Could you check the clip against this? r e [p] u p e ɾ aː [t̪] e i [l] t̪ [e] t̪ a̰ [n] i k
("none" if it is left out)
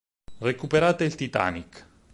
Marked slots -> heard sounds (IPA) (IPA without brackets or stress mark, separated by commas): k, t̪, l, i, n